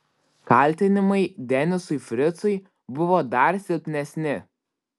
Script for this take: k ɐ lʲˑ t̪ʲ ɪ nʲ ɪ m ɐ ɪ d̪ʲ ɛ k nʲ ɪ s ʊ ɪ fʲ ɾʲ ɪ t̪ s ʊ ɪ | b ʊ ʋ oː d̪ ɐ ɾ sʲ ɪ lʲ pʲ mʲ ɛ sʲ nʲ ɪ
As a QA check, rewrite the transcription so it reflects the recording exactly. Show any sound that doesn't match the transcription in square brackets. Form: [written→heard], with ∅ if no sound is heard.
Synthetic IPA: k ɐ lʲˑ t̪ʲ ɪ nʲ ɪ m ɐ ɪ d̪ʲ ɛ [k→∅] nʲ ɪ s ʊ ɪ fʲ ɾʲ ɪ t̪ s ʊ ɪ | b ʊ ʋ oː d̪ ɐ ɾ sʲ ɪ lʲ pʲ [mʲ→nʲ] ɛ sʲ nʲ ɪ